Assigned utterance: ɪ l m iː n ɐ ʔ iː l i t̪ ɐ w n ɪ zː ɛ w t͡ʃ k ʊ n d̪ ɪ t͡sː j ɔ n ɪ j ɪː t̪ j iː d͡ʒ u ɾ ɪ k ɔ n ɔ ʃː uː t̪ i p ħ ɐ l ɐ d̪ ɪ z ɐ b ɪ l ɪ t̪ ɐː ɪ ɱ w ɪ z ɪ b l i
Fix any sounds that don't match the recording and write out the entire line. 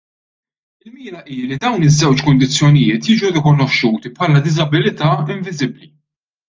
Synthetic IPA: ɪ l m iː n ɐ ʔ iː l i d̪ ɐ w n ɪ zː ɛ w t͡ʃ k ʊ n d̪ ɪ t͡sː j ɔ n ɪ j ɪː t̪ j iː d͡ʒ u ɾ ɪ k ɔ n ɔ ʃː uː t̪ i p ħ ɐ l ɐ d̪ ɪ z ɐ b ɪ l ɪ t̪ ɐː ɪ ɱ v ɪ z ɪ b l i